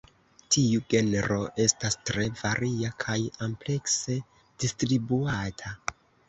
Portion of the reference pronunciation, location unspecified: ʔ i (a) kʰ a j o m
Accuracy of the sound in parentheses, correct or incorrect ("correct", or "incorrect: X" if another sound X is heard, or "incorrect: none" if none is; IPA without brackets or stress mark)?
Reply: correct